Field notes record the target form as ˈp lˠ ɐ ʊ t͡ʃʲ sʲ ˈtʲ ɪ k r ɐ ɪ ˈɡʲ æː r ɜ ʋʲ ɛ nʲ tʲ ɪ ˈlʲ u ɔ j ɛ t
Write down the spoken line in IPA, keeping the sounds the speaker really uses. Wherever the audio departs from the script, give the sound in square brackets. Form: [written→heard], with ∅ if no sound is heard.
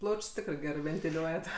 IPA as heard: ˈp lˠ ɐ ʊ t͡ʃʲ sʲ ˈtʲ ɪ k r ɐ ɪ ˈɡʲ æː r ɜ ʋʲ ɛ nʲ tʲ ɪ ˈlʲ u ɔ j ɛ t